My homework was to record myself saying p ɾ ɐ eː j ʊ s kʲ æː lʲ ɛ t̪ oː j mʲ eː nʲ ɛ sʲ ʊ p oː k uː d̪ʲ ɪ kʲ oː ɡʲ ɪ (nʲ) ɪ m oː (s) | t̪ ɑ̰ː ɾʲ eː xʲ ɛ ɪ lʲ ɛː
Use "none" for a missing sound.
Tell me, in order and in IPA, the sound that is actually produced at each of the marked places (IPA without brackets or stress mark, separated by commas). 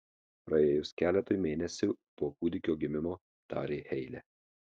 mʲ, none